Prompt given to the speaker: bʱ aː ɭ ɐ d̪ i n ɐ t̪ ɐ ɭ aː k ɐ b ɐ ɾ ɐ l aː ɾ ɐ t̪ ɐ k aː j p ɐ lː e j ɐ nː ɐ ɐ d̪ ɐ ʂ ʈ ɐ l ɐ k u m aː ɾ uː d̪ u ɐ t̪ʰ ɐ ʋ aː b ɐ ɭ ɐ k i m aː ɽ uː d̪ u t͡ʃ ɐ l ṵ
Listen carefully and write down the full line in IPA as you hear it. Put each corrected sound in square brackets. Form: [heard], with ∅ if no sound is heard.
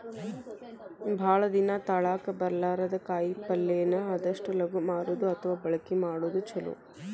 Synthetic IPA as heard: bʱ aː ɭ ɐ d̪ i n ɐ t̪ ɐ ɭ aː k ɐ b ɐ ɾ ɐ l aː ɾ ɐ [d̪] ɐ k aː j p ɐ lː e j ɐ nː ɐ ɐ d̪ ɐ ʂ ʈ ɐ l ɐ [ɡ] u m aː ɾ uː d̪ u ɐ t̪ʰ ɐ ʋ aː b ɐ ɭ ɐ k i m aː ɽ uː d̪ u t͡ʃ ɐ l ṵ